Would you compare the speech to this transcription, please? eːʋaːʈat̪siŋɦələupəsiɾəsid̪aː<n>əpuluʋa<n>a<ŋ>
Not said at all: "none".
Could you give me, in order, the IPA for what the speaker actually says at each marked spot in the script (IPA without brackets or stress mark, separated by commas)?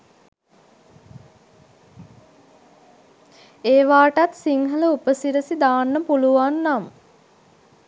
nː, nː, m